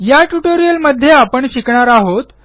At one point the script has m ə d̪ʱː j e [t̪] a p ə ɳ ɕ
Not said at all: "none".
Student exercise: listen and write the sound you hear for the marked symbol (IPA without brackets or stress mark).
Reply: none